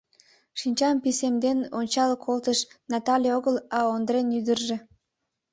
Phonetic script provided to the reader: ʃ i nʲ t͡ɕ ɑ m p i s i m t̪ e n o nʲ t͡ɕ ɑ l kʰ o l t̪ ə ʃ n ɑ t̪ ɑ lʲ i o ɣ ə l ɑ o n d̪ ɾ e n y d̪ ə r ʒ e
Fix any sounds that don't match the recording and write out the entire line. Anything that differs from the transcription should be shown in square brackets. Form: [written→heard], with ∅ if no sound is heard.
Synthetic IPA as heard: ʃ i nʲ t͡ɕ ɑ m p i s [i→e] m [t̪→d̪] e n o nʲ t͡ɕ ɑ l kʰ o l t̪ ə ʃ n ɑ t̪ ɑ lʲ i o ɣ ə l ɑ o n d̪ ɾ e n y d̪ ə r ʒ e